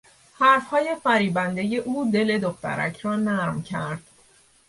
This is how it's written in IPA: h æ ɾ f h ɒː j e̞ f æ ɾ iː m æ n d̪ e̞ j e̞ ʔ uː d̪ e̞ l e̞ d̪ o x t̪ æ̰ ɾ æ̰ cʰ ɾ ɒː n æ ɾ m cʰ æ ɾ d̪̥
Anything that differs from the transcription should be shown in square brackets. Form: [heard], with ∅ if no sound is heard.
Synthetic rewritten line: h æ ɾ f h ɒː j e̞ f æ ɾ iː [b] æ n d̪ e̞ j e̞ ʔ uː d̪ e̞ l e̞ d̪ o x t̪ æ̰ ɾ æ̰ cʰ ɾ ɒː n æ ɾ m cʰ æ ɾ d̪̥

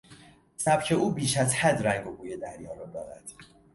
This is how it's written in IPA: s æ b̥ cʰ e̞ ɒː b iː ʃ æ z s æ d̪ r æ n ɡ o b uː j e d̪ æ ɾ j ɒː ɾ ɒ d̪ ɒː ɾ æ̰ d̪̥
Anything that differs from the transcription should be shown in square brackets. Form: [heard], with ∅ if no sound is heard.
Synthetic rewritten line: s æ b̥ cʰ e̞ [uː] b iː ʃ æ z [h] æ d̪ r æ [ŋ] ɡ o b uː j e d̪ æ ɾ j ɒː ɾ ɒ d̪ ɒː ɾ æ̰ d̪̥

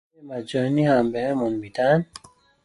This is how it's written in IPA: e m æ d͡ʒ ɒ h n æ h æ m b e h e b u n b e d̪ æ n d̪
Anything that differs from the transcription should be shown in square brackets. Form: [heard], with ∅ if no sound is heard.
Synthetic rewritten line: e m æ d͡ʒ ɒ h n [i] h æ m b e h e [m] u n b [i] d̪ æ n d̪

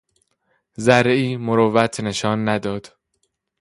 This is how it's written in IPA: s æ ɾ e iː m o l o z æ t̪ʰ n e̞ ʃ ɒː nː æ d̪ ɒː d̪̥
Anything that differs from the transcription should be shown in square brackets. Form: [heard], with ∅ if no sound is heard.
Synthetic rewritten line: [z] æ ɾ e iː m o [ɾ] o [v] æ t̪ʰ n e̞ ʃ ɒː nː æ d̪ ɒː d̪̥

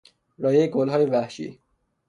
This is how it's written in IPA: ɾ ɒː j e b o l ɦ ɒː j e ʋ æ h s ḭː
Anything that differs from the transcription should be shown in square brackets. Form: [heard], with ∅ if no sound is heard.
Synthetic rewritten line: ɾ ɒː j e [ɡ] o l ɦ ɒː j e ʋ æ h [ʃ] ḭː

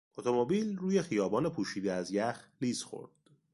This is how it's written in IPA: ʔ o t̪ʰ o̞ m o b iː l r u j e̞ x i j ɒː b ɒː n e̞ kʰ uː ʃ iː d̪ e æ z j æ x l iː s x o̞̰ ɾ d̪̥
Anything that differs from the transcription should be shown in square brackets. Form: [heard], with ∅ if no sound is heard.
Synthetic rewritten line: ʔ o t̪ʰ o̞ m o b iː l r [uː] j e̞ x i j ɒː b ɒː n e̞ [pʰ] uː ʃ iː d̪ e æ z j æ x l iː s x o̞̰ ɾ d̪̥

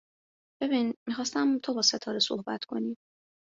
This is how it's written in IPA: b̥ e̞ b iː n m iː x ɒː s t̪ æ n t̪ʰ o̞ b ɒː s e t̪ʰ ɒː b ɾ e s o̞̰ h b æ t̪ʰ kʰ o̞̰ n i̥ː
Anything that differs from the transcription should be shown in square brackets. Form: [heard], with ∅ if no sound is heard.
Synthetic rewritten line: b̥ e̞ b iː n m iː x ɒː s t̪ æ [m] t̪ʰ o̞ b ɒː s e t̪ʰ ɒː [∅] ɾ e s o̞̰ h b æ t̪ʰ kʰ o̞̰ n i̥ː

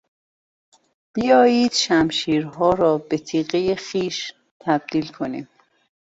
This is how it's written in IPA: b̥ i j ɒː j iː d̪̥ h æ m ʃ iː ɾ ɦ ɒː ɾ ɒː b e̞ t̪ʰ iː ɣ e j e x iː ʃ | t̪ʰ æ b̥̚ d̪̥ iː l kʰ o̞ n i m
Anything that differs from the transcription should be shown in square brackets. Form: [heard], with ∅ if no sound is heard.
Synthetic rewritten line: b̥ i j ɒː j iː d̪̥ [ʃ] æ m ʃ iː ɾ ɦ ɒː ɾ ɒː b e̞ t̪ʰ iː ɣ e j e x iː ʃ | t̪ʰ æ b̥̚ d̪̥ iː l kʰ o̞ n i m

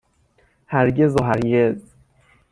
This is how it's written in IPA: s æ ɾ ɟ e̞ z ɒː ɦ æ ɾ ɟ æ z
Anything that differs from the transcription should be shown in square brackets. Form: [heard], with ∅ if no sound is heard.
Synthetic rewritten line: [h] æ ɾ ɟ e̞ z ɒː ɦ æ ɾ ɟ [e] z

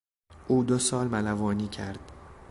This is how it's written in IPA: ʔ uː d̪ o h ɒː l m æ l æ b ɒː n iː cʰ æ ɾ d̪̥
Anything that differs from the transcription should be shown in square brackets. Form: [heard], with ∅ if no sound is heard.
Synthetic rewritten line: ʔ uː d̪ o [s] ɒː l m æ l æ [v] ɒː n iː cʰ æ ɾ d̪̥

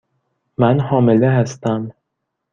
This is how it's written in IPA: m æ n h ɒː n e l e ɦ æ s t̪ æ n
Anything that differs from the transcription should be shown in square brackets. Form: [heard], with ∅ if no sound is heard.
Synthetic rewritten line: m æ n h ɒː [m] e l e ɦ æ s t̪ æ [m]

